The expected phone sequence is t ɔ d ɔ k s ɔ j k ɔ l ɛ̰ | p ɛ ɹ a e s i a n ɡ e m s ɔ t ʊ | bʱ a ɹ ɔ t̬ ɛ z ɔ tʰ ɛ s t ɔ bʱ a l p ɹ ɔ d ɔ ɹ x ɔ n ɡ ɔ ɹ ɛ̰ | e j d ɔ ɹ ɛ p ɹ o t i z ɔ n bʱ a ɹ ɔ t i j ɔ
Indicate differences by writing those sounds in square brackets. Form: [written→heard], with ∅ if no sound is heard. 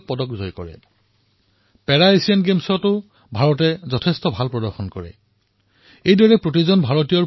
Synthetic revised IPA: [t→p] ɔ d ɔ k [s→z] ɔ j k ɔ [l→ɹ] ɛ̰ | p ɛ ɹ a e s i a n ɡ e m s ɔ t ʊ | bʱ a ɹ ɔ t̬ ɛ z ɔ tʰ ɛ s t ɔ bʱ a l p ɹ ɔ d ɔ ɹ x ɔ n [ɡ→k] ɔ ɹ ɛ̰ | e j d ɔ ɹ ɛ p ɹ o t i z ɔ n bʱ a ɹ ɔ t i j ɔ